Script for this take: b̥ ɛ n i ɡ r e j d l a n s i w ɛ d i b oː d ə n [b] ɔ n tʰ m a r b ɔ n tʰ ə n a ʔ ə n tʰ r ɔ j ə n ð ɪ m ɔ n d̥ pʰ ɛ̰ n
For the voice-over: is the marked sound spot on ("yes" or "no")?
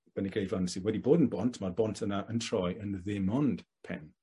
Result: yes